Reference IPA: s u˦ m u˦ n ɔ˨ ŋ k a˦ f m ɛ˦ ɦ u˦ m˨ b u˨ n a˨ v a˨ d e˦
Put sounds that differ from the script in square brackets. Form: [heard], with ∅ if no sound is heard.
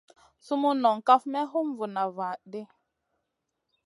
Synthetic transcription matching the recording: s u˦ m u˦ n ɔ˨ ŋ k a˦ f m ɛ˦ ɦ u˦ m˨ [v] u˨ n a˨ v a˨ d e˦